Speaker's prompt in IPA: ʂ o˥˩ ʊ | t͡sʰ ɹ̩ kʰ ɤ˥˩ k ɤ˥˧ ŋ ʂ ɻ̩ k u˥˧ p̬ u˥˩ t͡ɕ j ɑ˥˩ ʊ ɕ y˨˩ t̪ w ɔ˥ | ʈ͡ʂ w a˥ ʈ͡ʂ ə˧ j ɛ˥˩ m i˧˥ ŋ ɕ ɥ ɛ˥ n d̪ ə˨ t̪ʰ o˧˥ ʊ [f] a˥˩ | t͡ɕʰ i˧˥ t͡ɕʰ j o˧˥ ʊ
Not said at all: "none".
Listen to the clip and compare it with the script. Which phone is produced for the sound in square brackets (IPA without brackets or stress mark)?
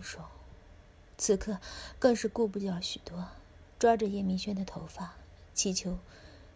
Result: f